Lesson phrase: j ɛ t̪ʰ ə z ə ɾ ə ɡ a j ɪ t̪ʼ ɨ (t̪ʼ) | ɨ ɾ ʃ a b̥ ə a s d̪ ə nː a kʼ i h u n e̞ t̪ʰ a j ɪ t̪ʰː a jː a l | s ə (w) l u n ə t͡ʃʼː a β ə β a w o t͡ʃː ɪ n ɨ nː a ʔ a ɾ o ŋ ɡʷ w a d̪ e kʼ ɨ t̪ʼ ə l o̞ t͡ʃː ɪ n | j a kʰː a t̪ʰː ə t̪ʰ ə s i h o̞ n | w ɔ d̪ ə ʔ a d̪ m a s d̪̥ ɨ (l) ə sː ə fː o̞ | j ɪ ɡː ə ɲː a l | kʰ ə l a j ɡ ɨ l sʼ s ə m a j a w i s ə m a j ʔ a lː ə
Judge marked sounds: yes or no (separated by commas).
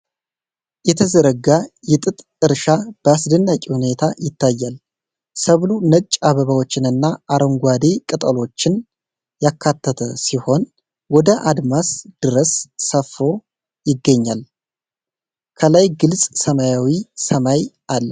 yes, no, no